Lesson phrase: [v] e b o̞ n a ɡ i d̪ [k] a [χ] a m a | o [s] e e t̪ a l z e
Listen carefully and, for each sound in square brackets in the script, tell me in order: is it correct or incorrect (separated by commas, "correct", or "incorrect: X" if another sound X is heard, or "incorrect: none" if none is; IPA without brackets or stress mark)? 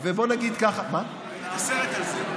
correct, correct, correct, correct